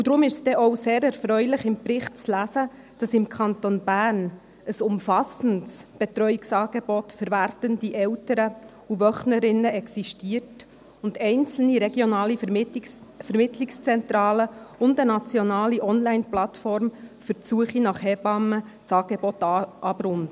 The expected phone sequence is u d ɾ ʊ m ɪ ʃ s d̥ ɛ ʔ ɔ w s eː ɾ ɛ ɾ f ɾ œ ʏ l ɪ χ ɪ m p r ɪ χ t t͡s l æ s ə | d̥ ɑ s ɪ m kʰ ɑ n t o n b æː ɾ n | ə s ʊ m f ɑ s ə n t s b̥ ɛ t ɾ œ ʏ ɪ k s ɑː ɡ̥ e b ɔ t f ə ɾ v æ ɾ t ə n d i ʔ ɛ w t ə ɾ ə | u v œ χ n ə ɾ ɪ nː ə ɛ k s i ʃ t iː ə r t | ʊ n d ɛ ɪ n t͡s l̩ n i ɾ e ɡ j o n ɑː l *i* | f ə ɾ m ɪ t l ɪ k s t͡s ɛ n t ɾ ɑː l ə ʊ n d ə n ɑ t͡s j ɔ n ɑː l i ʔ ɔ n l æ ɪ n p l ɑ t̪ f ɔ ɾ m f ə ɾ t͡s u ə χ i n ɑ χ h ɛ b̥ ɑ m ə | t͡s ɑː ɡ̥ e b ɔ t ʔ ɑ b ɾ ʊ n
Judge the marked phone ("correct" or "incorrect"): correct